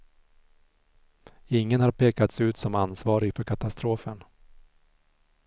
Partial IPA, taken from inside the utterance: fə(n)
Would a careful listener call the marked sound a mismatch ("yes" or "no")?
no